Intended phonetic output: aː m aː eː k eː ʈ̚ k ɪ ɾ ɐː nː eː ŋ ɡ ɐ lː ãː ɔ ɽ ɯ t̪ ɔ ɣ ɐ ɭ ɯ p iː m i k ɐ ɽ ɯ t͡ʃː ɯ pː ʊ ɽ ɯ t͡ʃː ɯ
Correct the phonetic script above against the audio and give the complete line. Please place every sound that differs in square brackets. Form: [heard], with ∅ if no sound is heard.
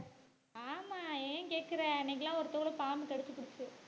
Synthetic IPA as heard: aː m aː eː k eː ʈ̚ k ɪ ɾ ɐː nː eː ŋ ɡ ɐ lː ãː ɔ [ɾ] ɯ t̪ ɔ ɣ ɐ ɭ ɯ p [aː] m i k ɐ ɽ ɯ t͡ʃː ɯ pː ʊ ɽ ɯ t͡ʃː ɯ